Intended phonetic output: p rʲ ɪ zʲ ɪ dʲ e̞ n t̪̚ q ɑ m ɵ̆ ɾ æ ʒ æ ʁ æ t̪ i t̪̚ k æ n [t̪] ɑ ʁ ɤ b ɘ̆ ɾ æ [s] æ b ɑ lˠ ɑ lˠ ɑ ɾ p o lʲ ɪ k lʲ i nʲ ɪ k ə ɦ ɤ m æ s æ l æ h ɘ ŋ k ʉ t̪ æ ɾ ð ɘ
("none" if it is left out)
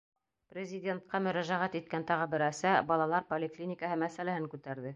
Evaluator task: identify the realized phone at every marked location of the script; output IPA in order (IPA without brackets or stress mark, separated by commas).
t̪, s